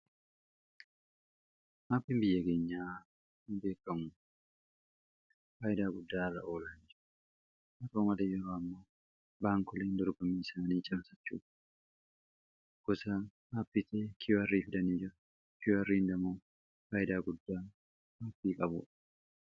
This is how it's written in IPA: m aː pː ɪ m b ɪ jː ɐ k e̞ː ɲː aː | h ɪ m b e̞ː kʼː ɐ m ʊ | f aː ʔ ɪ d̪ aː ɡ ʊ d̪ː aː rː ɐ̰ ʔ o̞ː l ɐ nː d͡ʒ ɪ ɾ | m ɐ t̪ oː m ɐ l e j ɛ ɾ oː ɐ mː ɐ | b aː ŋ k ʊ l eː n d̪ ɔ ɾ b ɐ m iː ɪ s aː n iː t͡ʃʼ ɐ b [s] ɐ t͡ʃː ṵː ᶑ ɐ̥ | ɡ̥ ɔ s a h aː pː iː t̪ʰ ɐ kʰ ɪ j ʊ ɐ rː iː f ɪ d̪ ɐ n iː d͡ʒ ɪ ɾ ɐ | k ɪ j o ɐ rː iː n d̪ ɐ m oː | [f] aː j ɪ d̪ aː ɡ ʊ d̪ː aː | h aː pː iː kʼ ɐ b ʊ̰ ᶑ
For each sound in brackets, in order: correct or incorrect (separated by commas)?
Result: correct, correct